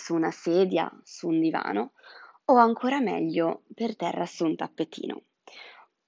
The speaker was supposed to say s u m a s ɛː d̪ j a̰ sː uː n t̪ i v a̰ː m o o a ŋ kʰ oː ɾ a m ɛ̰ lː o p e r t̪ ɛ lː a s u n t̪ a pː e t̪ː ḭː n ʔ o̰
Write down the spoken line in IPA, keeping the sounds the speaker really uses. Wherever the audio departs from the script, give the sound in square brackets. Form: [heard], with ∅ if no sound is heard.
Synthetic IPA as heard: s u [n] a s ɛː d̪ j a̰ [s] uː n [d̪] i v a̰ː [n] o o a ŋ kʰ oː ɾ a m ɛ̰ [ʎː] o p e r t̪ ɛ [rː] a s u n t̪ a pː e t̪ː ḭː n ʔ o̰